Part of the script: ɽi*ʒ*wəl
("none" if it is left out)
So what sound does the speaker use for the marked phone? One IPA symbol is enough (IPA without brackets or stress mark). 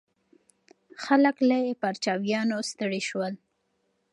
ʃ